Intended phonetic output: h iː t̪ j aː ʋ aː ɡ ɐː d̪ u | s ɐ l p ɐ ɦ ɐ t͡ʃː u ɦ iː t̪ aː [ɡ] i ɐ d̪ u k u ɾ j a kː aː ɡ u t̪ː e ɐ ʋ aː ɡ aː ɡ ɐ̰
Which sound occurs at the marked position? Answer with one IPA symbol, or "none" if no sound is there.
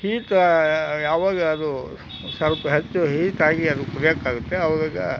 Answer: ɡ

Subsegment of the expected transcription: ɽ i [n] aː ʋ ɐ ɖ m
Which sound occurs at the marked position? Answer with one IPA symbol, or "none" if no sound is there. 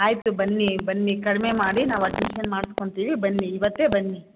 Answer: n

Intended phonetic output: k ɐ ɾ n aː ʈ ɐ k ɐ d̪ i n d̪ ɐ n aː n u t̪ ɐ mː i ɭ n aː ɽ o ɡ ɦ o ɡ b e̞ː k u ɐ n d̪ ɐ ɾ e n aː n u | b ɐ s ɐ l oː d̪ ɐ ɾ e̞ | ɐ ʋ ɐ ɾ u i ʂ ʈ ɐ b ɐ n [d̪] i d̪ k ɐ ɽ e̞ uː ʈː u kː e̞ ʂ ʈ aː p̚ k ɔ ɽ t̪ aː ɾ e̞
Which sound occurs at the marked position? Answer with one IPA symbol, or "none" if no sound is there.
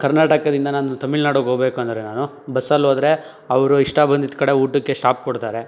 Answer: d̪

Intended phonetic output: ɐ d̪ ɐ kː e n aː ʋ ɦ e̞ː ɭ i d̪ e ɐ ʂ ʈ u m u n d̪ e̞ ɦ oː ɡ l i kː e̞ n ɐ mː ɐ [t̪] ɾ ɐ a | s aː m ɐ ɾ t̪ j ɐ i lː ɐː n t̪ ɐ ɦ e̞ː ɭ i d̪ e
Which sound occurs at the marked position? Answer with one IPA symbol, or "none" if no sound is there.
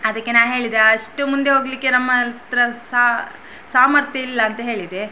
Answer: t̪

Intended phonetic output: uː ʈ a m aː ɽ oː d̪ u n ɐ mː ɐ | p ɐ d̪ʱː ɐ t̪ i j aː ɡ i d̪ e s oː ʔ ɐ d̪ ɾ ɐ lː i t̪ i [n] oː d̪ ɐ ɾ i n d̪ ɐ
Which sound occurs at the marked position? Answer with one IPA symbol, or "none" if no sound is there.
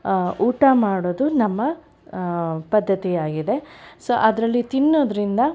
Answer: nː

